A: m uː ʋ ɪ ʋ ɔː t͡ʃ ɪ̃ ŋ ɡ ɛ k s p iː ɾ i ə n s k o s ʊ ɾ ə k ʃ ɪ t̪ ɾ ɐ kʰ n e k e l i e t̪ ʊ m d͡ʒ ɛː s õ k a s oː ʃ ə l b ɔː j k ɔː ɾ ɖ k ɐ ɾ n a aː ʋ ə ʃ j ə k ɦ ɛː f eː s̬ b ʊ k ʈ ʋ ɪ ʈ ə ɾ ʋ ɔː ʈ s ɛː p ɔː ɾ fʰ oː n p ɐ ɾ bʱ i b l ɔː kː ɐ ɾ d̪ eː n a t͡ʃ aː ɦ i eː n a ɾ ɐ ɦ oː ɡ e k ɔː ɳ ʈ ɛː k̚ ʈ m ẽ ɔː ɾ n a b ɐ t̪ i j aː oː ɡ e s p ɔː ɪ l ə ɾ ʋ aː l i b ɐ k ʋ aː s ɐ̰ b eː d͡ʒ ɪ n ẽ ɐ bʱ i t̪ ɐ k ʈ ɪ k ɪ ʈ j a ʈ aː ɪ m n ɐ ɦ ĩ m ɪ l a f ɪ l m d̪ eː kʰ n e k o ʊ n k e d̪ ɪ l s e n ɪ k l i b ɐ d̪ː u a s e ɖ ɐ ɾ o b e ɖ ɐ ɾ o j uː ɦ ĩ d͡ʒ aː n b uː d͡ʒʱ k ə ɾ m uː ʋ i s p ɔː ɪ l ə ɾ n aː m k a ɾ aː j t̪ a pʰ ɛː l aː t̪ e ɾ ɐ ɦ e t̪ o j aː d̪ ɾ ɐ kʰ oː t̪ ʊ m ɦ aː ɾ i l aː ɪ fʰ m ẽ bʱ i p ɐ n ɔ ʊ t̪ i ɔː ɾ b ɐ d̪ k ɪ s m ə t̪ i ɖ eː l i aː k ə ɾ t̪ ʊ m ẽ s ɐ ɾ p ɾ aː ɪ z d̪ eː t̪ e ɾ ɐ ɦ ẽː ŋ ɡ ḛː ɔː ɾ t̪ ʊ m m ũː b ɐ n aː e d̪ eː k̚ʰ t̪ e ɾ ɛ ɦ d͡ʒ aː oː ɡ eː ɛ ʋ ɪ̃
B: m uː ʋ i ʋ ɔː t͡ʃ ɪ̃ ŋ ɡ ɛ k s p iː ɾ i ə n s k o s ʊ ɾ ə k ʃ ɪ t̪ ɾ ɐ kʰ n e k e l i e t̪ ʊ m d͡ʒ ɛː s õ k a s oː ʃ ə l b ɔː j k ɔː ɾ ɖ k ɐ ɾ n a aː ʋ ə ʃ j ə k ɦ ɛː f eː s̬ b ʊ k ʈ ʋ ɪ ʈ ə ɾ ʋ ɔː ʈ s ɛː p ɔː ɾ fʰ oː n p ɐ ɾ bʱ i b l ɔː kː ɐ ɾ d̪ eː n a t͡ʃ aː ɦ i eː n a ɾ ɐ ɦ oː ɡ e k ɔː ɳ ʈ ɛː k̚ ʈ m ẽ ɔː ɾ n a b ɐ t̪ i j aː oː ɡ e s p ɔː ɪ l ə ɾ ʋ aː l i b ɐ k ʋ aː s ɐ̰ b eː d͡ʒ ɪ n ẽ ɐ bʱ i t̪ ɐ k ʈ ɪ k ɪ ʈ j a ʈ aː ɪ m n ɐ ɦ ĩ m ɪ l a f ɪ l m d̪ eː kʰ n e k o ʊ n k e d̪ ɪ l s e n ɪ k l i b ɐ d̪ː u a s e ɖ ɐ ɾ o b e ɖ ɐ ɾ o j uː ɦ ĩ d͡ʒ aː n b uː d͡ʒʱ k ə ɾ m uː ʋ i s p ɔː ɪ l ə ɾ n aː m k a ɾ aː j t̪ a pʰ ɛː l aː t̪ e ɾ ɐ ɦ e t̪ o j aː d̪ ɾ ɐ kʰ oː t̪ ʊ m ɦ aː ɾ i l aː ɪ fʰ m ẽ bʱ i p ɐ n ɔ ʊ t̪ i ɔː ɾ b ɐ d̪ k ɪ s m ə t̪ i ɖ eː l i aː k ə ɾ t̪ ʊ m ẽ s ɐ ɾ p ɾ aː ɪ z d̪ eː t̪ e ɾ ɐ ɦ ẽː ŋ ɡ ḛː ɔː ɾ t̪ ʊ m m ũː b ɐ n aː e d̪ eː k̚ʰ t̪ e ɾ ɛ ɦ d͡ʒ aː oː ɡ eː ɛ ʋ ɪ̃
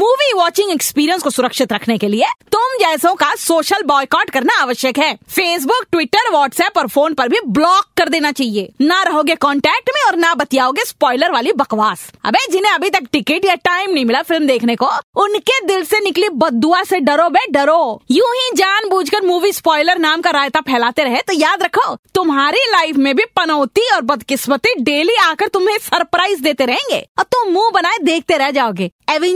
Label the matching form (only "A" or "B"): B